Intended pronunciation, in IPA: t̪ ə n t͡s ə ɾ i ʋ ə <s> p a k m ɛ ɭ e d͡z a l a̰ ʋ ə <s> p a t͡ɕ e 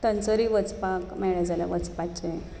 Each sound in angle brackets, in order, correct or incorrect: incorrect: t͡s, incorrect: t͡s

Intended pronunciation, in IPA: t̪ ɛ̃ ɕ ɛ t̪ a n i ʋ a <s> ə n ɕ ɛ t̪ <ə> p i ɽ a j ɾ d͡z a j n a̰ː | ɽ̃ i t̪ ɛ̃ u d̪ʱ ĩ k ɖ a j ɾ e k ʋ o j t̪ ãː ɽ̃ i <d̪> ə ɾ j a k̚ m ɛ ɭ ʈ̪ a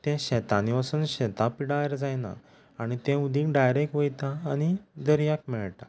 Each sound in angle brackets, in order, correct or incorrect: correct, incorrect: a, correct

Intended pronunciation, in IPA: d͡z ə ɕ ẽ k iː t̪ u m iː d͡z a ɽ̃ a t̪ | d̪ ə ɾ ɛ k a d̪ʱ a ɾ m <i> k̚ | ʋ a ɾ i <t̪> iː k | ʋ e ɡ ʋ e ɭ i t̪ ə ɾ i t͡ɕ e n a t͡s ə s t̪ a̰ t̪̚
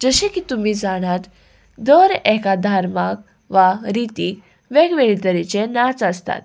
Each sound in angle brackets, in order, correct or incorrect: incorrect: a, correct

